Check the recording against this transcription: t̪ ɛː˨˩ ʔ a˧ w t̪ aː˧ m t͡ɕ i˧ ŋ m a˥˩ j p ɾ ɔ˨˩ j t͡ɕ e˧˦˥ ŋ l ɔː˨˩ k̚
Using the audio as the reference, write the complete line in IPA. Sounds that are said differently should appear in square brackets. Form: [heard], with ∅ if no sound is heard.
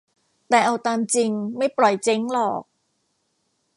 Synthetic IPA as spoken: t̪ ɛː˨˩ ʔ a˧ w t̪ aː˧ m t͡ɕ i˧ ŋ m a˥˩ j p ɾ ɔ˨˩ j t͡ɕ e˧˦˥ ŋ l ɔː˨˩ k̚